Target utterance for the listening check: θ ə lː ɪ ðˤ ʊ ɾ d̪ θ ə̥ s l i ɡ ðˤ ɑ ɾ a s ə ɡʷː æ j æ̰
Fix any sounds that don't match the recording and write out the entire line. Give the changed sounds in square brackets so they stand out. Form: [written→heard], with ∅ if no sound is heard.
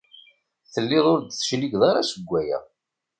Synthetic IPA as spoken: θ ə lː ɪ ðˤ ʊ ɾ d̪ θ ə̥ [s→ʃ] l i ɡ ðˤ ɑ ɾ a s ə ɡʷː æ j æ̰